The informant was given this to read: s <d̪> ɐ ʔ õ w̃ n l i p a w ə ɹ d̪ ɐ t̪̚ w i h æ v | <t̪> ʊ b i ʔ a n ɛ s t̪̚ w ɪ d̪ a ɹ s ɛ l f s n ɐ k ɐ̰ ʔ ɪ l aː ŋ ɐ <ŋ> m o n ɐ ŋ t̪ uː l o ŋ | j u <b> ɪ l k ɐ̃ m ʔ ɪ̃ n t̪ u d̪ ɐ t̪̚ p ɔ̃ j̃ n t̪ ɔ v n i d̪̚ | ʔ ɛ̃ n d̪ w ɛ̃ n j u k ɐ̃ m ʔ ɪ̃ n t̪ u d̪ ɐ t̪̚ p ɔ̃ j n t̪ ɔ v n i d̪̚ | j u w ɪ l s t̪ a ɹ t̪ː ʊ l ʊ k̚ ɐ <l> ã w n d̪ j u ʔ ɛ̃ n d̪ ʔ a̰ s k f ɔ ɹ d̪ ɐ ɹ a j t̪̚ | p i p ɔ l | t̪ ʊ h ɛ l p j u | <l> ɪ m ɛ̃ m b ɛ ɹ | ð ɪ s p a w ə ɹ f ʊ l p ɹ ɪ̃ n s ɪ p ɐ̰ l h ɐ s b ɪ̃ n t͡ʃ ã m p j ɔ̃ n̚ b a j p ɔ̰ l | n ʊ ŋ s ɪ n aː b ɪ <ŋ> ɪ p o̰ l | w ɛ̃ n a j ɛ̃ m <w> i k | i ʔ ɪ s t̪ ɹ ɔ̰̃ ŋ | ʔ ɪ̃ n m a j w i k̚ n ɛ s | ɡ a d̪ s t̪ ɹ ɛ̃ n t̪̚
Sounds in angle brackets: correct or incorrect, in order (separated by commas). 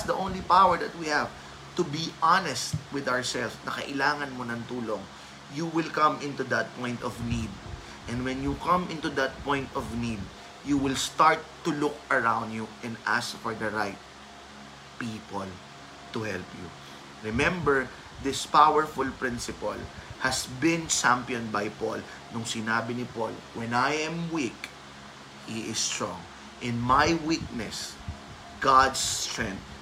correct, correct, incorrect, incorrect, incorrect, incorrect, incorrect, correct